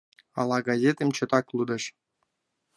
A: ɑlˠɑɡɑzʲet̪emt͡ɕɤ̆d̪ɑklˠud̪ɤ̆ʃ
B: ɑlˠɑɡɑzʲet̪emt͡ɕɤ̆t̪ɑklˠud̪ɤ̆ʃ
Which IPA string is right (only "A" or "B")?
B